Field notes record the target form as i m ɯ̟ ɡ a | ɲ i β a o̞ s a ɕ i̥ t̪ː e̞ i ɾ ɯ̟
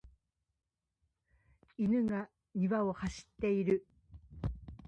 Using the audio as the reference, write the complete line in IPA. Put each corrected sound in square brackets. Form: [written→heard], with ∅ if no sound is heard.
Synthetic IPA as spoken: i [m→n] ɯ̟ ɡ a | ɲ i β a o̞ [s→h] a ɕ i̥ t̪ː e̞ i ɾ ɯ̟